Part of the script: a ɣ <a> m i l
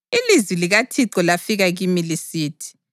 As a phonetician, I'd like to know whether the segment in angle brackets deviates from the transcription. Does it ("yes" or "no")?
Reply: yes